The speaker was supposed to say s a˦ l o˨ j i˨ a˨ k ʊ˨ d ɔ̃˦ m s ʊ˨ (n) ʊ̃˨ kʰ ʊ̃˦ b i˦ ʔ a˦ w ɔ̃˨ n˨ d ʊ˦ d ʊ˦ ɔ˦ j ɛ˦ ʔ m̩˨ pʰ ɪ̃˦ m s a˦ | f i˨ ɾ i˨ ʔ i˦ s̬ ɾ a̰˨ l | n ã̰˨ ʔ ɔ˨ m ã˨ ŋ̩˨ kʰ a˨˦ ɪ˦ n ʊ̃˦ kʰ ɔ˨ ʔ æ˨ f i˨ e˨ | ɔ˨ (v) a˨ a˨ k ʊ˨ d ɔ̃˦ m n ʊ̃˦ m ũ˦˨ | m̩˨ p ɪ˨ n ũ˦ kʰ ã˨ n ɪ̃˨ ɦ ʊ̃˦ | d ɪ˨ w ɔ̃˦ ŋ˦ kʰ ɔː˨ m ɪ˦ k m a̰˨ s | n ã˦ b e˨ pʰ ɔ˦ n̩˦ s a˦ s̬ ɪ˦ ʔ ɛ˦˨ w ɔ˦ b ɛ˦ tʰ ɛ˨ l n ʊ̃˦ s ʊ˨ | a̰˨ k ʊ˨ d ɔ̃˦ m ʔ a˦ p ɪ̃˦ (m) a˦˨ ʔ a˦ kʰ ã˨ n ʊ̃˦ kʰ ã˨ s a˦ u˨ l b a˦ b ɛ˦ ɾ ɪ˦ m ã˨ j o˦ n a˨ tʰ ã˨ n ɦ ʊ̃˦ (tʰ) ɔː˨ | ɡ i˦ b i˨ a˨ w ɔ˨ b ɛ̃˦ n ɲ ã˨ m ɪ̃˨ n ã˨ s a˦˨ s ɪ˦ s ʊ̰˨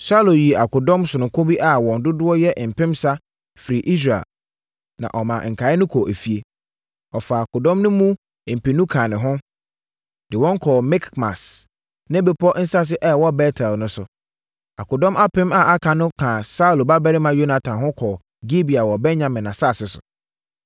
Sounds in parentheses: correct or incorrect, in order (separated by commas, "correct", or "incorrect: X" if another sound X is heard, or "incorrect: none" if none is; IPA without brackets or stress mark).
correct, incorrect: f, correct, incorrect: kʰ